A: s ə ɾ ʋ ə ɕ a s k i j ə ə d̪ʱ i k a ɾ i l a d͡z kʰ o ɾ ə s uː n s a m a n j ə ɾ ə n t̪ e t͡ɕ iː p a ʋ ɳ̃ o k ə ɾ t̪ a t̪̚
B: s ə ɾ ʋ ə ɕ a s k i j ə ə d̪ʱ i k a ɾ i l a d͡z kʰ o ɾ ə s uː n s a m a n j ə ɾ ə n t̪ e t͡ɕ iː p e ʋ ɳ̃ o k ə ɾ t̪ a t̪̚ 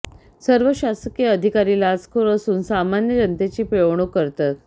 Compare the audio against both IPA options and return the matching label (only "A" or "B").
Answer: B